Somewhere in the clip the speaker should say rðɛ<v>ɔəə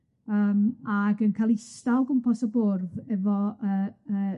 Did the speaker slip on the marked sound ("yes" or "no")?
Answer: no